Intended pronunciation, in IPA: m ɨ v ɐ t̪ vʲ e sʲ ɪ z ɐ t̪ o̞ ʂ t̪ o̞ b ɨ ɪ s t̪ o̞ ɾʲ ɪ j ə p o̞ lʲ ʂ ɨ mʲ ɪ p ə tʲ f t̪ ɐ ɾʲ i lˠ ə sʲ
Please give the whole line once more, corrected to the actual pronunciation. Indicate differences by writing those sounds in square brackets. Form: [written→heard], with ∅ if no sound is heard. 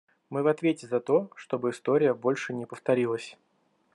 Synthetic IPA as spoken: m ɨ v ɐ t̪ vʲ e [sʲ→tʲ] ɪ z ɐ t̪ o̞ ʂ t̪ o̞ b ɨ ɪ s t̪ o̞ ɾʲ ɪ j ə [p→b] o̞ lʲ ʂ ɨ [mʲ→nʲ] ɪ p ə [tʲ→∅] f t̪ ɐ ɾʲ i lˠ ə sʲ